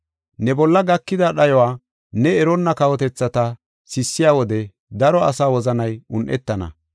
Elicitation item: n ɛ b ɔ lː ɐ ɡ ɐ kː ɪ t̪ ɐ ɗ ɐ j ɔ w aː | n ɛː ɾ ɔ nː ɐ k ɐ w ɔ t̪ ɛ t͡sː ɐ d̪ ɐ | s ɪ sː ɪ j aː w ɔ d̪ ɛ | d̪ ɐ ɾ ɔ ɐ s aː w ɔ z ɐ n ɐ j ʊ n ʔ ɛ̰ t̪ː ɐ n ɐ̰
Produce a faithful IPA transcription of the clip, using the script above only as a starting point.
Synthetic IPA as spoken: n ɛ b ɔ lː ɐ ɡ ɐ kː ɪ d̪ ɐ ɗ ɐ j ɔ w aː | n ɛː ɾ ɔ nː ɐ k ɐ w ɔ t̪ ɛ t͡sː ɐ t̪ ɐ | s ɪ sː ɪ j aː w ɔ d̪ ɛ | d̪ ɐ ɾ ɔ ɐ s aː w ɔ z ɐ n ɐ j ʊ n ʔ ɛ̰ t̪ː ɐ n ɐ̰